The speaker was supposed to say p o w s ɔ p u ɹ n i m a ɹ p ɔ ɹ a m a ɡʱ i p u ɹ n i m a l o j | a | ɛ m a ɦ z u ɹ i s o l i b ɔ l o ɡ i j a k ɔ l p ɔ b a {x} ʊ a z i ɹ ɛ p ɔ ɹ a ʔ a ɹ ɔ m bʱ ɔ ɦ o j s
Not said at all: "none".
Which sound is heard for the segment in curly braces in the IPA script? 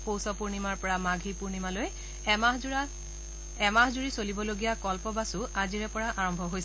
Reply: s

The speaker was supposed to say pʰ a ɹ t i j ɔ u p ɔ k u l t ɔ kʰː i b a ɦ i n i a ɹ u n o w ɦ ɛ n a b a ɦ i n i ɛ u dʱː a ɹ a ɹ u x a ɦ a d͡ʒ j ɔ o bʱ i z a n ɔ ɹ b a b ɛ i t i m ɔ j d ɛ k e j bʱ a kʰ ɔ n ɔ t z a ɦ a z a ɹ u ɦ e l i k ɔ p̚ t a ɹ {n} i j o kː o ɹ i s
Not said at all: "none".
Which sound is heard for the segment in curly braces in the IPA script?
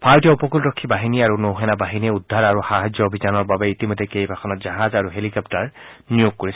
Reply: n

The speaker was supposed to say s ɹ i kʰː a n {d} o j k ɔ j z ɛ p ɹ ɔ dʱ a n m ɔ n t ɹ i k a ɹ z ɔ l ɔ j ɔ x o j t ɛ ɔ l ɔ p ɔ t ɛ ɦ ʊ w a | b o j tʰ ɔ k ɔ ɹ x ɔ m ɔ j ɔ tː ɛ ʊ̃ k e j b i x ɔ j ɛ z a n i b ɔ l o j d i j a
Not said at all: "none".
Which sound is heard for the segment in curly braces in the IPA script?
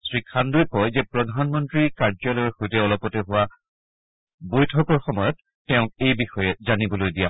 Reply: d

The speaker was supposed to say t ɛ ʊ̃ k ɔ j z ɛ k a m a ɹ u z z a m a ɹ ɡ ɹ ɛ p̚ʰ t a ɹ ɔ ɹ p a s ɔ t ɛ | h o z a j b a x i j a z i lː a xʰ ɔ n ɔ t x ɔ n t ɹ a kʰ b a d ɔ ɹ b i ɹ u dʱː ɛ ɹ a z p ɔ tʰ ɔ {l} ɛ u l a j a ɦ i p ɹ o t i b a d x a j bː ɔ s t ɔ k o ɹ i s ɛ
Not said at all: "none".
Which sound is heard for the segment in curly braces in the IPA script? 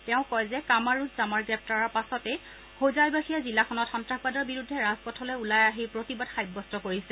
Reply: l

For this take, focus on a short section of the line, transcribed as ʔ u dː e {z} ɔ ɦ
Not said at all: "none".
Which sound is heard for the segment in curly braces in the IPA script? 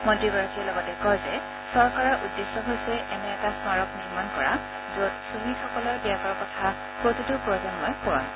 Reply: s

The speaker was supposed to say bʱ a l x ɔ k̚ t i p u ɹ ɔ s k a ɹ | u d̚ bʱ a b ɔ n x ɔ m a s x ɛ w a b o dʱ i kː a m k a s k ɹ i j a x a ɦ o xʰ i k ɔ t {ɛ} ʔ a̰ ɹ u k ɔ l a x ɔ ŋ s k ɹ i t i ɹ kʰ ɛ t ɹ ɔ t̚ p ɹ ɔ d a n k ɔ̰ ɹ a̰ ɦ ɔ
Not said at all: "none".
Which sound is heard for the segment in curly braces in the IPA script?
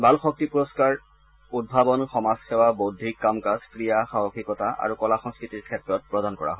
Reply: a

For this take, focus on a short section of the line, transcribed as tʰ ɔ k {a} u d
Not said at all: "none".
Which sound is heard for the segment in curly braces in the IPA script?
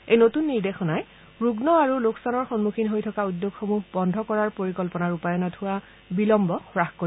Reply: a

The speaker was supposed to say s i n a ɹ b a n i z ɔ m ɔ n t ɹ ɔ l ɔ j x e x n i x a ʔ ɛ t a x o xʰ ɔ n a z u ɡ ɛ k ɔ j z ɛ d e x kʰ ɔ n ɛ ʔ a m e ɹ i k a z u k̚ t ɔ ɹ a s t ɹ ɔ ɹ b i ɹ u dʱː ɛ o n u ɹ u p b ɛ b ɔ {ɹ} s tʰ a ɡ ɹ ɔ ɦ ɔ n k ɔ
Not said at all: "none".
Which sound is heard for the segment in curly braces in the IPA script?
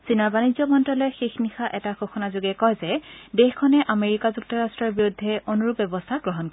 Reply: none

